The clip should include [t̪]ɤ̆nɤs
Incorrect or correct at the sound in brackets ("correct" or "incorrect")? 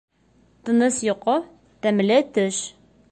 correct